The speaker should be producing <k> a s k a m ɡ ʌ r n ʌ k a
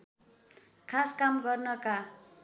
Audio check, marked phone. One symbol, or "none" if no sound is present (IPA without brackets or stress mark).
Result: kʰ